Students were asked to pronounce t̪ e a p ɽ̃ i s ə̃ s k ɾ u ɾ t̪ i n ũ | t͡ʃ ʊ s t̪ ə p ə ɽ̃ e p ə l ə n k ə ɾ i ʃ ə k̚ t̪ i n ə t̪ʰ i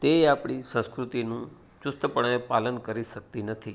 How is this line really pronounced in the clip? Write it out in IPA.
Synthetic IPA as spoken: t̪ e a p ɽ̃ i s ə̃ s k ɾ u t̪ i n ũ | t͡ʃ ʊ s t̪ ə p ə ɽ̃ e p a l ə n k ə ɾ i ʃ ə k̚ t̪ i n ə t̪ʰ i